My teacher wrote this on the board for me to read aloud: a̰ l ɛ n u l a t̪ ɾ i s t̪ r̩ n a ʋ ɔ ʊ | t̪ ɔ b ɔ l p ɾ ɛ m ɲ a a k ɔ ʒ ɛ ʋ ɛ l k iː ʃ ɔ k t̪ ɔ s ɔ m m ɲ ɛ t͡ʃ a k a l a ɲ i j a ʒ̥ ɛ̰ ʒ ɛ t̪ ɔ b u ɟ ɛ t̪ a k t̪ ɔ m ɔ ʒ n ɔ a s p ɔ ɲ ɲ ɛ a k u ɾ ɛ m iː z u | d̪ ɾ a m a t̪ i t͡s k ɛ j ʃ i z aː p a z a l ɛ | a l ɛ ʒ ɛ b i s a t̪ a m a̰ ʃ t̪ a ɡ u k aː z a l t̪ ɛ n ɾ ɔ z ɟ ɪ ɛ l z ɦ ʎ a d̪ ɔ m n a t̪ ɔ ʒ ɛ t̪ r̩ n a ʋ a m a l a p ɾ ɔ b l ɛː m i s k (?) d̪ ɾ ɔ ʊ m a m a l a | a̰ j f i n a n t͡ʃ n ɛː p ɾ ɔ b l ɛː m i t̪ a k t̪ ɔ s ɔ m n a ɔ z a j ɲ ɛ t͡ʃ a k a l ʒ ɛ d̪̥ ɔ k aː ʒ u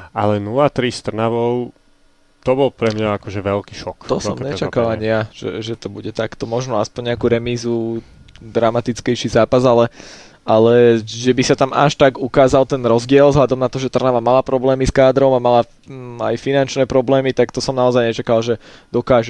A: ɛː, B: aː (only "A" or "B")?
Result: B